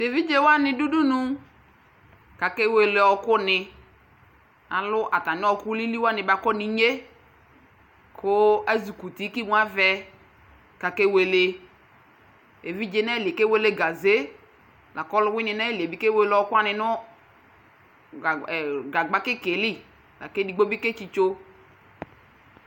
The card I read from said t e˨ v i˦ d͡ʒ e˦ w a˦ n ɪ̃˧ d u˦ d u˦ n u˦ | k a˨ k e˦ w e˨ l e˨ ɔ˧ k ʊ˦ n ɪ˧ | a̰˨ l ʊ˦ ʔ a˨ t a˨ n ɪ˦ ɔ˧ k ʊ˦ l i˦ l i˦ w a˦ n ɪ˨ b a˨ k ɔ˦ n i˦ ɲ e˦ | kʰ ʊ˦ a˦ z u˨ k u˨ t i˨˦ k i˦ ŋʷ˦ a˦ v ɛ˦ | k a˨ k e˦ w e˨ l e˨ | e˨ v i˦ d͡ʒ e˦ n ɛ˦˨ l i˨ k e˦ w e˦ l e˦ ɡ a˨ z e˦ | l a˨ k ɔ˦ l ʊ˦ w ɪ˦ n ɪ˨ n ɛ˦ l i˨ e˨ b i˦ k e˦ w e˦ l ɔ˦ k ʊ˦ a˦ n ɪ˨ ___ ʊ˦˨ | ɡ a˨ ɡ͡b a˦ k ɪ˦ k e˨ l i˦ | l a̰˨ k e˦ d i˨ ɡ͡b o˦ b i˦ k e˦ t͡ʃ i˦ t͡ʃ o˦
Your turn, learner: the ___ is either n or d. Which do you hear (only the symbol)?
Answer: n